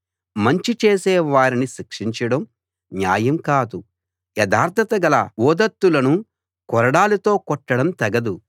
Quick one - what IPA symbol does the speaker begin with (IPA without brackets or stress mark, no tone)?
m